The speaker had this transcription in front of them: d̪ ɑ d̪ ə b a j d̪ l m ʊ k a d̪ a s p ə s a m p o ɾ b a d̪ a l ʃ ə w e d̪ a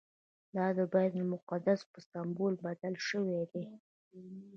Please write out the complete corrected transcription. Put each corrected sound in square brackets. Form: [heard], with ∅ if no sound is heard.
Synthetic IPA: d̪ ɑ d̪ ə b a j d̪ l m ʊ [q] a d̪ a s p ə s a m [b] o [l] b a d̪ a l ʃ ə w e d̪ [e]